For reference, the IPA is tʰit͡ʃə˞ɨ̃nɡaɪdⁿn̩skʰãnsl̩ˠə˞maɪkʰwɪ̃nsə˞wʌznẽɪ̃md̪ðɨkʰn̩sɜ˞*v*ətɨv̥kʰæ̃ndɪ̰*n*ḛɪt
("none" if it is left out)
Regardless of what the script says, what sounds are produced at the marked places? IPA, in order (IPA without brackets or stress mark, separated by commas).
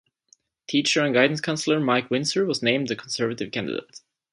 v, d